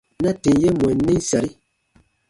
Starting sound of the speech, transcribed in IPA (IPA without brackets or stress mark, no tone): n